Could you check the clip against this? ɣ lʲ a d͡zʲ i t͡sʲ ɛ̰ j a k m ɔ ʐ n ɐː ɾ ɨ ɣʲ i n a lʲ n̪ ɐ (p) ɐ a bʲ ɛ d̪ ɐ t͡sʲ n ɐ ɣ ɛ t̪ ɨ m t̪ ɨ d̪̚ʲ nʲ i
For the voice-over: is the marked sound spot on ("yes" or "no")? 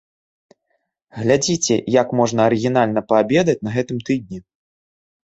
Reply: yes